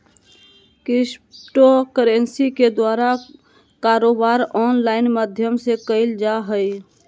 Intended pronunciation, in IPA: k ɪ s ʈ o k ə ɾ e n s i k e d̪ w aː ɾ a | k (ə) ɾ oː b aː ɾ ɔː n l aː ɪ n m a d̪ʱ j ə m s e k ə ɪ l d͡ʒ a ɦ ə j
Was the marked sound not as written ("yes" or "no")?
yes